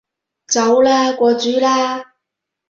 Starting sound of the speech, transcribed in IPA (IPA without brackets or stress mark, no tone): t͡s